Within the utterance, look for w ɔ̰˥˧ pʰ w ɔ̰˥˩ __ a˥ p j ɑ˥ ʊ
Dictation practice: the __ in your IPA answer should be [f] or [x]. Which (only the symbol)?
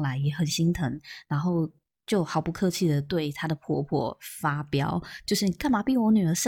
f